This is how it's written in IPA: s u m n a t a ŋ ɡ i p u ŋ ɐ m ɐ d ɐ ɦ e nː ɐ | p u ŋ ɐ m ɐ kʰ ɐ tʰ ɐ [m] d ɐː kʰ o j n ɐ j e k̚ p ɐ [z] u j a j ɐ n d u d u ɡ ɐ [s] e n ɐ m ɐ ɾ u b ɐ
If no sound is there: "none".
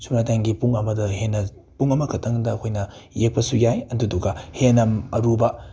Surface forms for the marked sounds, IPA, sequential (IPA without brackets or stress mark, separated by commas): ŋ, s, h